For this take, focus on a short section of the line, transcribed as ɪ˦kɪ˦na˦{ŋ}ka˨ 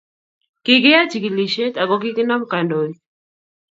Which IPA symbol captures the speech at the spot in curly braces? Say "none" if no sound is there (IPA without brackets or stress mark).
m